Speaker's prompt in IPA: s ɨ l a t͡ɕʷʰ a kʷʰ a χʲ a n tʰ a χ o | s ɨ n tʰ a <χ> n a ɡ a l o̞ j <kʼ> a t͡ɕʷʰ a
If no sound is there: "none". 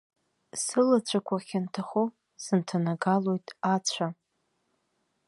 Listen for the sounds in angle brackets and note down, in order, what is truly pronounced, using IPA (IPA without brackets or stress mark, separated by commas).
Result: none, tʼ